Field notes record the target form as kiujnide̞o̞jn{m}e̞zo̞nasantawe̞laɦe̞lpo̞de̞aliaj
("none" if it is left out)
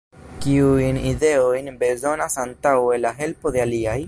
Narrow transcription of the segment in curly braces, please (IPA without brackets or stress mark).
b